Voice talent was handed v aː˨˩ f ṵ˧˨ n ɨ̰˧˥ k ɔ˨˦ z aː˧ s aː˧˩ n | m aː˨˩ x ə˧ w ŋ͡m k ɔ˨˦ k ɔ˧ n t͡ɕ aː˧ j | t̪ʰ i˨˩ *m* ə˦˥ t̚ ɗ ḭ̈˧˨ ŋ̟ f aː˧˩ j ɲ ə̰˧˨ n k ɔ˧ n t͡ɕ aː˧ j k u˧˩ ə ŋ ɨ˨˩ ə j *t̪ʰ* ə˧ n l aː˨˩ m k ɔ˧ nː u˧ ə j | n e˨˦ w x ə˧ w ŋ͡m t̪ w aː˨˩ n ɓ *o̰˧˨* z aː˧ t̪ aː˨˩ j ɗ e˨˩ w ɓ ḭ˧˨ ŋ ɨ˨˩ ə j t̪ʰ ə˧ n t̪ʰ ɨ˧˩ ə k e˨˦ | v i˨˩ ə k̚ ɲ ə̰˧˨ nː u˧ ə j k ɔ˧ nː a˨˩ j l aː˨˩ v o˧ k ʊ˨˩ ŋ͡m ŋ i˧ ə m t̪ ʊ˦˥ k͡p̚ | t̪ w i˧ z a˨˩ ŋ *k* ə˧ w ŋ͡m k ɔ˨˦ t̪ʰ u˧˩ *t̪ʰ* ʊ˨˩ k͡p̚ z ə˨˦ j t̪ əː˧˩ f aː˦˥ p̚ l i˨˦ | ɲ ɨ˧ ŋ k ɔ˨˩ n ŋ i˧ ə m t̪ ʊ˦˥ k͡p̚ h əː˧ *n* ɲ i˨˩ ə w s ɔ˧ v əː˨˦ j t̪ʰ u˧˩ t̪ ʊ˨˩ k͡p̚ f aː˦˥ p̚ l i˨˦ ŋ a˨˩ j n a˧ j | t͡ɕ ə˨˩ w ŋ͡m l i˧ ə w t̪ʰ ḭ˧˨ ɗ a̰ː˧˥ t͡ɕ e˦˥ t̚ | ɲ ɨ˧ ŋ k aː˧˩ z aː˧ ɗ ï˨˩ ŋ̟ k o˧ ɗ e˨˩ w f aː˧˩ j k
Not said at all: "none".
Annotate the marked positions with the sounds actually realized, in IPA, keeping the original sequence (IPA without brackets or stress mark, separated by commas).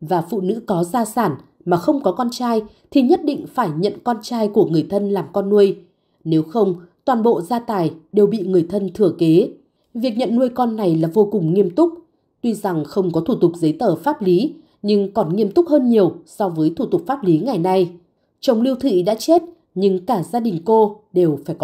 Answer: ɲ, t̪ʰ, o̰˧˨, x, t̪, n